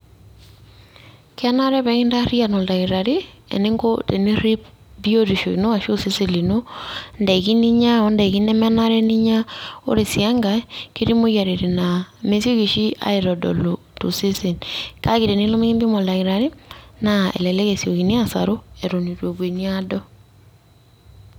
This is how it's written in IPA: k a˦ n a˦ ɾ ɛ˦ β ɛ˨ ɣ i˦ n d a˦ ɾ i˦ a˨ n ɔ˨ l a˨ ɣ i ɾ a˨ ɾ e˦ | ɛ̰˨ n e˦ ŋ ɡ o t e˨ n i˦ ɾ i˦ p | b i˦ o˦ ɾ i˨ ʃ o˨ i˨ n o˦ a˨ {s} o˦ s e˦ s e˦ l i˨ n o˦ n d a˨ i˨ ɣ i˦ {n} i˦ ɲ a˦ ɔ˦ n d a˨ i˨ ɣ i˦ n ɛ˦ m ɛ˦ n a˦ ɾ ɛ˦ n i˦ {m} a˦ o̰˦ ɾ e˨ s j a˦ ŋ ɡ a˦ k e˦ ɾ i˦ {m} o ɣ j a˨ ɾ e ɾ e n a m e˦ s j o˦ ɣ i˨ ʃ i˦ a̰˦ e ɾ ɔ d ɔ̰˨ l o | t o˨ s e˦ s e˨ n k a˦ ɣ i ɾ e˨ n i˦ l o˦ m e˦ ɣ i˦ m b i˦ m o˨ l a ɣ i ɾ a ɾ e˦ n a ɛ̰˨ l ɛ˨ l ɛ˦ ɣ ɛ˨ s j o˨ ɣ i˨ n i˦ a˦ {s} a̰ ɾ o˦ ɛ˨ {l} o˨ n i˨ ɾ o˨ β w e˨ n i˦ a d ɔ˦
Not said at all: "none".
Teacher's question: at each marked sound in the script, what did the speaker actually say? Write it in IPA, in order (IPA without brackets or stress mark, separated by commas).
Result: ʃ, n, ɲ, m, s, ɾ